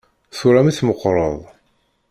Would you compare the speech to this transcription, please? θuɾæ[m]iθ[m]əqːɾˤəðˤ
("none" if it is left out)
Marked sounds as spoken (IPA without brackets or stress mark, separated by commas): m, m